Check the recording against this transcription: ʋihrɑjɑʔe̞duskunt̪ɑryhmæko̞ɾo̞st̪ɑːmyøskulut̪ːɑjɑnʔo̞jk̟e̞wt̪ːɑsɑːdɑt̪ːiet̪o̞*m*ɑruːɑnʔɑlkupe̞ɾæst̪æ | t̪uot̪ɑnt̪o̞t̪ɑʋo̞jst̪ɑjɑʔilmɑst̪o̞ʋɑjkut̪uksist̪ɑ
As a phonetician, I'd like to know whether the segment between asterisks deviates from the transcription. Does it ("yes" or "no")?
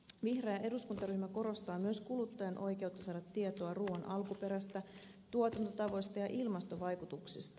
yes